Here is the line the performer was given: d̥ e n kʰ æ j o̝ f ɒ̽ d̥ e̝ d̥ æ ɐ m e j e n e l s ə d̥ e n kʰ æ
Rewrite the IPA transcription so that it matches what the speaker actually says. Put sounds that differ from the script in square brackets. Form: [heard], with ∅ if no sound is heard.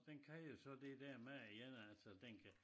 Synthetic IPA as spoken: d̥ e n kʰ æ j o̝ [s] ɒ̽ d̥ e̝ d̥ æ ɐ m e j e n [æ] l s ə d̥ e n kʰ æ

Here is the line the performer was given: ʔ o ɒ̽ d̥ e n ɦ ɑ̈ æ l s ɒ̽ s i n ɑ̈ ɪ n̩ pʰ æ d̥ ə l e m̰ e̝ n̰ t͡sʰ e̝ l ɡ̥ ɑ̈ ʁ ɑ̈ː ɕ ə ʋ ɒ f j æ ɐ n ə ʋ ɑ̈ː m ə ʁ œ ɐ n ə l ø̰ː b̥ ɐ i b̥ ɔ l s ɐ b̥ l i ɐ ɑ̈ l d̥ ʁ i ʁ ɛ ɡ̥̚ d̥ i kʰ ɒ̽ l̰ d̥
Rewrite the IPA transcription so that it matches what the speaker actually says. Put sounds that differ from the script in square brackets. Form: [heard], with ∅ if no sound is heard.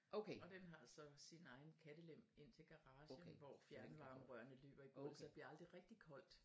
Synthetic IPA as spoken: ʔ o ɒ̽ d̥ e n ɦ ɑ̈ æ l s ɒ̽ s i n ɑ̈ ɪ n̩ [kʰ] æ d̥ ə l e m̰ e̝ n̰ t͡sʰ e̝ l ɡ̥ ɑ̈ ʁ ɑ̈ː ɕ ə ʋ ɒ f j æ ɐ n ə ʋ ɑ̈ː m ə ʁ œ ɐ n ə l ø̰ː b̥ ɐ i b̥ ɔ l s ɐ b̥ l i ɐ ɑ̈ l d̥ ʁ i ʁ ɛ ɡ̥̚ d̥ i kʰ ɒ̽ l̰ d̥

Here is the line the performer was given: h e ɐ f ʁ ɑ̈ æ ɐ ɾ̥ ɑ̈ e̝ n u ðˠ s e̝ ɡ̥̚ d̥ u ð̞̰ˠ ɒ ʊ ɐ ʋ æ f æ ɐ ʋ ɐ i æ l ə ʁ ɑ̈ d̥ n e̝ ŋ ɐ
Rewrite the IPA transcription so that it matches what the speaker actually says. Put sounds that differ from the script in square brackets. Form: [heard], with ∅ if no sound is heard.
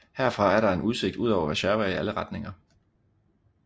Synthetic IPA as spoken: h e ɐ f ʁ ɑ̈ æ ɐ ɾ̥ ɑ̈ e̝ n u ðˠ s e̝ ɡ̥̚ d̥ u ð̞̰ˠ ɒ ʊ ɐ ʋ æ [ɕ] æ ɐ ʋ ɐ i æ l ə ʁ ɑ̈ d̥ n e̝ ŋ ɐ

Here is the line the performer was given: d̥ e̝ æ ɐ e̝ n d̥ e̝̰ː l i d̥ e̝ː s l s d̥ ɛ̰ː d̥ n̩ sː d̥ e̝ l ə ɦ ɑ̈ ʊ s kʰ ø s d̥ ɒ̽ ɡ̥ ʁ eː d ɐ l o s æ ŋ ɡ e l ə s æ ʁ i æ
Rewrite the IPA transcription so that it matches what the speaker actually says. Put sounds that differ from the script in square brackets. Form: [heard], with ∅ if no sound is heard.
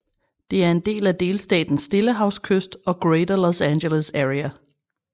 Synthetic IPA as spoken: d̥ e̝ æ ɐ e̝ n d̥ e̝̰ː l [æ] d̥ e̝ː [∅] l s d̥ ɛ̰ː d̥ n̩ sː d̥ e̝ l ə ɦ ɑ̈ ʊ s kʰ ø s d̥ ɒ̽ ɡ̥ ʁ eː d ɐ l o s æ [n] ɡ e l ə s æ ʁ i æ

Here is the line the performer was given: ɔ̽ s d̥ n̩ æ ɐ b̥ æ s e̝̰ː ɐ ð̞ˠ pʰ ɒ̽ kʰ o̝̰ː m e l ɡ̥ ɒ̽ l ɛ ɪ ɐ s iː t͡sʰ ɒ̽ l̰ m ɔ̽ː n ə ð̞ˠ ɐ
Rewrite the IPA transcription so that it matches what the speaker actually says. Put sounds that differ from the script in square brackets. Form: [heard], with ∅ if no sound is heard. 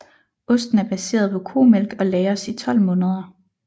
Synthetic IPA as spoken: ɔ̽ s d̥ n̩ æ ɐ b̥ æ s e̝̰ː ɐ ð̞ˠ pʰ ɒ̽ kʰ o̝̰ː m e l ɡ̥ ɒ̽ l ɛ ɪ ɐ s [i] t͡sʰ ɒ̽ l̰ m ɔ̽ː n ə ð̞ˠ ɐ

